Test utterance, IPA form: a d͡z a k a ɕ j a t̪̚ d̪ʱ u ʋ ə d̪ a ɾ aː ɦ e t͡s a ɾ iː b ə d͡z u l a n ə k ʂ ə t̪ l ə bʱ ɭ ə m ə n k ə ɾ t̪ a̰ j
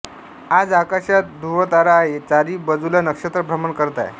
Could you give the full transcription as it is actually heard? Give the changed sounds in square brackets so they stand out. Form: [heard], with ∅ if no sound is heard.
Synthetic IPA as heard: a d͡z a k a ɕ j a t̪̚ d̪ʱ u ʋ ə [t̪] a ɾ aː ɦ e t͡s a ɾ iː b ə d͡z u l a n ə k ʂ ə t̪ [ɾ] ə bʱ [ɾ] ə m ə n k ə ɾ t̪ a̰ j